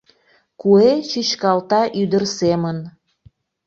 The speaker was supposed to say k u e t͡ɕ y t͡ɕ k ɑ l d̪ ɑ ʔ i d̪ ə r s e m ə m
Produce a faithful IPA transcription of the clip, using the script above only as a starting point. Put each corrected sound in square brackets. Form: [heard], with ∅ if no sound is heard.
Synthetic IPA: k u e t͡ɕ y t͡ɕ k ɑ l [t̪] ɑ ʔ [y] d̪ ə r s e m ə [n]